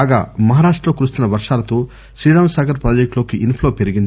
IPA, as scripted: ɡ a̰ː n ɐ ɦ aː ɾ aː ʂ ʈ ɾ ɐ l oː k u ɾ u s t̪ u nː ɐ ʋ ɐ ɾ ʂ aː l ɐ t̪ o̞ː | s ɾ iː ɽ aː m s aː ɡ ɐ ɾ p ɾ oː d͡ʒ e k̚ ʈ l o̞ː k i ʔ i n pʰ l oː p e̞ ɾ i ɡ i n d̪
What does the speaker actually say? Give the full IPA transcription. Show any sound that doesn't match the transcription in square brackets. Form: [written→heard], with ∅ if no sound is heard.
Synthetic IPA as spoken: ɡ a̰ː [n→m] ɐ ɦ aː ɾ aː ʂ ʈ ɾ ɐ l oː k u ɾ u s t̪ u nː ɐ ʋ ɐ ɾ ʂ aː l ɐ t̪ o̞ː | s ɾ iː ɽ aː m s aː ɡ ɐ ɾ p ɾ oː d͡ʒ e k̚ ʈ l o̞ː k i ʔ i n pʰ l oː p e̞ ɾ i ɡ i n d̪